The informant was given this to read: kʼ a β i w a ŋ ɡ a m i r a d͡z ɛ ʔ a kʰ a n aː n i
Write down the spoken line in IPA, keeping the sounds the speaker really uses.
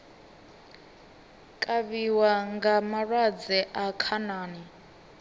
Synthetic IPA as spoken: kʼ a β i w a ŋ ɡ a m a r a d͡z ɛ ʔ a kʰ a n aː n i